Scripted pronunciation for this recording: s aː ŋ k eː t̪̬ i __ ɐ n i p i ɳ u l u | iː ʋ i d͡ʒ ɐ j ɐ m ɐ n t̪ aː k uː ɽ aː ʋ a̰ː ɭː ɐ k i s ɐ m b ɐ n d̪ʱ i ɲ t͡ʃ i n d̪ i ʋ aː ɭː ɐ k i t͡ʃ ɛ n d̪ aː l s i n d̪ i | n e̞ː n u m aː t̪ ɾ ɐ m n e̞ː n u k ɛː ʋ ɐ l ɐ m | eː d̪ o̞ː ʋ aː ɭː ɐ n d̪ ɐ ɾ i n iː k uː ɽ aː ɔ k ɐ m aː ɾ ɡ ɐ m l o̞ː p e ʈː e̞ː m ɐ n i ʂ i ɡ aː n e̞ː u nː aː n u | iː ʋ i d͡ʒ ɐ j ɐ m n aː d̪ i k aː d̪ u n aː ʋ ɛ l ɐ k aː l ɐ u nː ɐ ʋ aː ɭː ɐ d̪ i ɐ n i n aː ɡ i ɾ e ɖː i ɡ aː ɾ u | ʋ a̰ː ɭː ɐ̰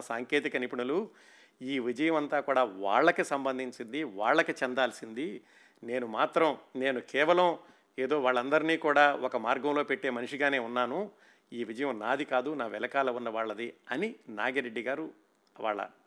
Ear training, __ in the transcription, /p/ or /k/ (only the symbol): k